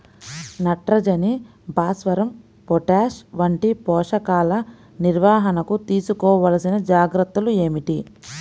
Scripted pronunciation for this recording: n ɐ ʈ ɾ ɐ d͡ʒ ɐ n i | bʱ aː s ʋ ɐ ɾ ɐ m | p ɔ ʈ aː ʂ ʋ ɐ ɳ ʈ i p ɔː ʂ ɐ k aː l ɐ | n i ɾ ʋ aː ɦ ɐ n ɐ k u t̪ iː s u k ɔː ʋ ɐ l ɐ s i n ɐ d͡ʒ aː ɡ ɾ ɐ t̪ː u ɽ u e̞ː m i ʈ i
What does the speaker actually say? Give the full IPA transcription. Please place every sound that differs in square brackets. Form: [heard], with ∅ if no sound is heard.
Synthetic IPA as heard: n ɐ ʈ ɾ ɐ d͡ʒ ɐ n i | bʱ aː s ʋ ɐ ɾ ɐ m | p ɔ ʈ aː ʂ ʋ ɐ ɳ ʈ i p ɔː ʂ ɐ k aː l ɐ | n i ɾ ʋ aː ɦ ɐ n ɐ k u t̪ iː s u k ɔː ʋ ɐ l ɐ s i n ɐ d͡ʒ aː ɡ ɾ ɐ t̪ː u [l] u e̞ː m i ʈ i